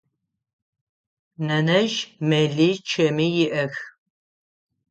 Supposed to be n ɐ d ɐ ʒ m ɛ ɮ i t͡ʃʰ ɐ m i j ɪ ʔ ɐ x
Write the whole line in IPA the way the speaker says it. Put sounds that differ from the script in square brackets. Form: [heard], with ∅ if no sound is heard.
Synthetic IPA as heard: n ɐ [n] ɐ ʒ m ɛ ɮ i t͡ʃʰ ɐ m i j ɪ ʔ ɐ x